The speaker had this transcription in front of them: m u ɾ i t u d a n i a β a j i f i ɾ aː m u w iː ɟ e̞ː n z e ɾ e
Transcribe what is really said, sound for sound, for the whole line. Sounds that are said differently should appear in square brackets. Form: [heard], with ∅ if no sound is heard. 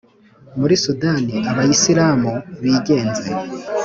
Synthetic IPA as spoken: m u ɾ i [s] u d a n i a β a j i [s] i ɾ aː m u [β] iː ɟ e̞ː n z e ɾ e